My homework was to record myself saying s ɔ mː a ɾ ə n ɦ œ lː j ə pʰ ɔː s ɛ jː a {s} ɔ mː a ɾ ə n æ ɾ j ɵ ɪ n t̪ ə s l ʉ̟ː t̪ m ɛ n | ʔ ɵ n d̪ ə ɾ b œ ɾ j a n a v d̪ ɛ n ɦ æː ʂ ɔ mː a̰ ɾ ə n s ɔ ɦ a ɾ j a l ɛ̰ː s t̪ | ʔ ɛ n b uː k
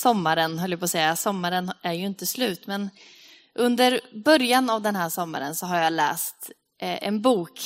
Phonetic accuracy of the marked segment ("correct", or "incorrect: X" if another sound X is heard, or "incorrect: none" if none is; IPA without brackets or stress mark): correct